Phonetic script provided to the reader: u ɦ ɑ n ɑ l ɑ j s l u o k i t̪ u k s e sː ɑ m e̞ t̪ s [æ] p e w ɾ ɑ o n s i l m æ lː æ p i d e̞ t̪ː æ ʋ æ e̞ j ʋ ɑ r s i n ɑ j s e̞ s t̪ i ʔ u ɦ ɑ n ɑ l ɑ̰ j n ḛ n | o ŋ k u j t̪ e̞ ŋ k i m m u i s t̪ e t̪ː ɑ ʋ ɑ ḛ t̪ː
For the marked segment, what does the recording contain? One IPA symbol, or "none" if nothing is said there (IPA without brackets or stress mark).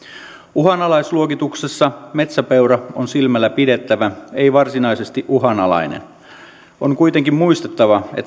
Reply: æ